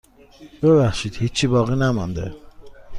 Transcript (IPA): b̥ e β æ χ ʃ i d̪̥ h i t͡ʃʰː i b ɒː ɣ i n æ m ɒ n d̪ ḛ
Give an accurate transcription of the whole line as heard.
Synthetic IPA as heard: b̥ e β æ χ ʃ i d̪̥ h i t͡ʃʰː i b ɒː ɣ i n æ m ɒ n d̪ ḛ